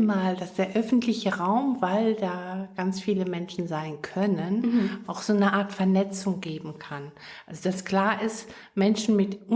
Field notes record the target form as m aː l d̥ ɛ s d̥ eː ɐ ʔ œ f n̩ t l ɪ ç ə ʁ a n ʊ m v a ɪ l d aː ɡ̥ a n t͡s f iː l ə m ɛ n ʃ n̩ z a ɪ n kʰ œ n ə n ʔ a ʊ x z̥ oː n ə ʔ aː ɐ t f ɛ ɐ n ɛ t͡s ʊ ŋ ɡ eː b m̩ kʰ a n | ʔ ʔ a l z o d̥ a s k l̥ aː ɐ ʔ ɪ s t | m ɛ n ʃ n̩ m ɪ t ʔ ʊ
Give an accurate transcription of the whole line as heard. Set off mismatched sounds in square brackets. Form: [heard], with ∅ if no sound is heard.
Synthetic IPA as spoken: m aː l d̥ [a] s d̥ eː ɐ ʔ œ f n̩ t l ɪ ç ə ʁ a [∅] ʊ m v a ɪ l d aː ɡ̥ a n t͡s f iː l ə m ɛ n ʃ n̩ z a ɪ n kʰ œ n ə n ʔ a ʊ x z̥ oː n ə ʔ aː ɐ t f ɛ ɐ n ɛ t͡s ʊ ŋ ɡ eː b m̩ kʰ a n | ʔ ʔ a l z o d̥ a s k l̥ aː ɐ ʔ ɪ s t | m ɛ n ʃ n̩ m ɪ t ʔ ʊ